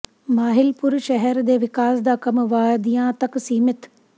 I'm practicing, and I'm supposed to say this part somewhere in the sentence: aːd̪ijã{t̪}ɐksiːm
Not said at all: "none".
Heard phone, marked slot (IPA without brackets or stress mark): t̪